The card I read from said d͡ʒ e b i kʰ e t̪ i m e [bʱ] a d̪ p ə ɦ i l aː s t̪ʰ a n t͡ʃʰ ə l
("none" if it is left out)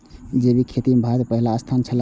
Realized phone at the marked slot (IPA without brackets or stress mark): bʱ